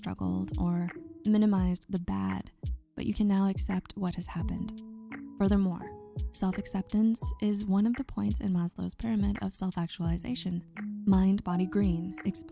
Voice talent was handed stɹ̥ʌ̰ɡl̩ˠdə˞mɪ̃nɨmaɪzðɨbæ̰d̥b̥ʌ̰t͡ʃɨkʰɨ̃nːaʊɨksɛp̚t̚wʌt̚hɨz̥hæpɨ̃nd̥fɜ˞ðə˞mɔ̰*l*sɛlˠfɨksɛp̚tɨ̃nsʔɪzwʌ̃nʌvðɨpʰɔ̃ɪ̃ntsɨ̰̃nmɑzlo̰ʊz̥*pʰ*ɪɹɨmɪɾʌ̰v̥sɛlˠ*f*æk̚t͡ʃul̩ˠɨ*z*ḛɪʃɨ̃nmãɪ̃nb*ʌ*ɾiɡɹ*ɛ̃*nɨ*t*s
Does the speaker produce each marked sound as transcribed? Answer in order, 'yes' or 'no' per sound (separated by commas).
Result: no, yes, yes, yes, no, no, no